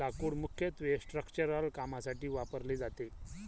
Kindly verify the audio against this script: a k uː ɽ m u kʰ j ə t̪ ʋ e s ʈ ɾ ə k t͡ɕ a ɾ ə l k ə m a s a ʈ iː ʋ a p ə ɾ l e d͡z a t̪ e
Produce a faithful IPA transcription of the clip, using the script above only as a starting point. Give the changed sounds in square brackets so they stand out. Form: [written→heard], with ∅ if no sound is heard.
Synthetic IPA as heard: a k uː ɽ m u kʰ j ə t̪ ʋ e s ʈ ɾ ə k t͡ɕ [a→ə] ɾ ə l k [ə→a] m a s a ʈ iː ʋ a p ə ɾ l e d͡z a t̪ e